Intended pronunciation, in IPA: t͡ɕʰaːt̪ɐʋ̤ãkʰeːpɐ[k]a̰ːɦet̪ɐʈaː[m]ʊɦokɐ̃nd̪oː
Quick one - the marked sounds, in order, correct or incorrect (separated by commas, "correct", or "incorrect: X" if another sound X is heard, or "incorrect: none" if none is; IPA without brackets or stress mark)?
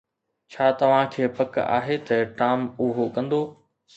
correct, correct